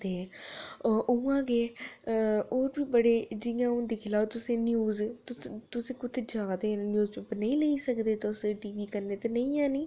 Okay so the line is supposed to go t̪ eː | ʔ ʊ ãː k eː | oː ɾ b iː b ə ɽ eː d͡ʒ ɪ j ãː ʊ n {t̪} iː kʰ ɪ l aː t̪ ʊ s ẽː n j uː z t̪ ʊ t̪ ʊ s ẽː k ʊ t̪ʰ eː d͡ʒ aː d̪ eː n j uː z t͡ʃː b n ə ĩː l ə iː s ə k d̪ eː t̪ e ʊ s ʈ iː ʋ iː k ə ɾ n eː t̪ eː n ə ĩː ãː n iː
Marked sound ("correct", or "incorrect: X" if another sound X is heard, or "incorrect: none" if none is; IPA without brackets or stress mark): incorrect: d̪